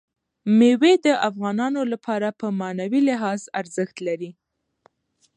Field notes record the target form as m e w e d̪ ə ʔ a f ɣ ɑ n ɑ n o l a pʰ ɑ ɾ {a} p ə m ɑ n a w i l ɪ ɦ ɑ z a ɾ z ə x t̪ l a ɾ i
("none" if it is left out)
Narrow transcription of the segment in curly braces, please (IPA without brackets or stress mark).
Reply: a